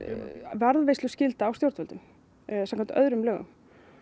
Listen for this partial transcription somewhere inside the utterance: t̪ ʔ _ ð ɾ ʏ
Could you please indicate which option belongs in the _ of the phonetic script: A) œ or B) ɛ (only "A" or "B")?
A